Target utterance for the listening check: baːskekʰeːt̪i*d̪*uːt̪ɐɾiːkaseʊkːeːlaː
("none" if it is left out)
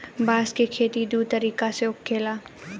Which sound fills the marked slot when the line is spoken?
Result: d̪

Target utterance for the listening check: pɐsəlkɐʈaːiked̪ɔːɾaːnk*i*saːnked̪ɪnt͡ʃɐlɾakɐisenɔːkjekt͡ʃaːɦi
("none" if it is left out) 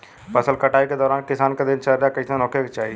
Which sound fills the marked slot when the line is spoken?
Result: ɪ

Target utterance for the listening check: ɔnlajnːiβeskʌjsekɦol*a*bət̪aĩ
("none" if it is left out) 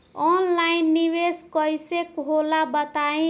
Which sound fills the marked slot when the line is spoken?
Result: a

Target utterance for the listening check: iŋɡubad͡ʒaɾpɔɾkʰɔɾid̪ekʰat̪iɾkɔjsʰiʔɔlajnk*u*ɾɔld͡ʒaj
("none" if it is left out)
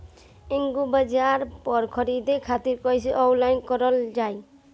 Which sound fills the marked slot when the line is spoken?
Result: ɔ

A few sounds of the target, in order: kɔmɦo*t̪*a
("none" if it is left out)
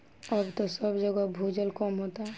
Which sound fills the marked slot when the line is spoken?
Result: t̪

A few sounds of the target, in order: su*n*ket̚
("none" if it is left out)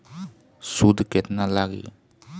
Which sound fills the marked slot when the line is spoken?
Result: d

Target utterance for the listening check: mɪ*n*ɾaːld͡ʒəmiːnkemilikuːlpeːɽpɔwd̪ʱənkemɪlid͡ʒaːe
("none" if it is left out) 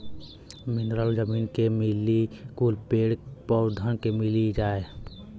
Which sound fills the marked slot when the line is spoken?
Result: n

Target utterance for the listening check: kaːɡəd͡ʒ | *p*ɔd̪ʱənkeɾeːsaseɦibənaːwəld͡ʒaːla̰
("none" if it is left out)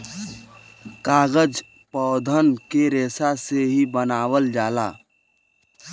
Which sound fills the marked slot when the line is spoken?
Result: p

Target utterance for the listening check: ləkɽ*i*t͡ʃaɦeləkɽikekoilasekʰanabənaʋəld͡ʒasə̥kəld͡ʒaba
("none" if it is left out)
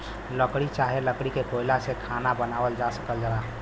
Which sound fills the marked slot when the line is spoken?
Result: i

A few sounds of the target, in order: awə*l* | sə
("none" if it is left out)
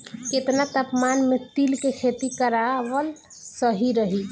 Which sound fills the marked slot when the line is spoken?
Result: l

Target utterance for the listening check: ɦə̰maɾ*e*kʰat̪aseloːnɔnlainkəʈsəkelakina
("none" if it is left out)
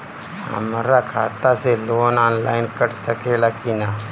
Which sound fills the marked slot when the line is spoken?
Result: a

